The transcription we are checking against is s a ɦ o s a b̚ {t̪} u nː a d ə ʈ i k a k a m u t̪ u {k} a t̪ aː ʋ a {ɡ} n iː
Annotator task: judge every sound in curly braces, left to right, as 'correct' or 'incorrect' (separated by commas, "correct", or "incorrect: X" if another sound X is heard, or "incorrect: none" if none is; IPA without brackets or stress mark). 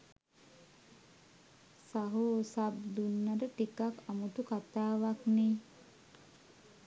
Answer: incorrect: d̪, correct, incorrect: k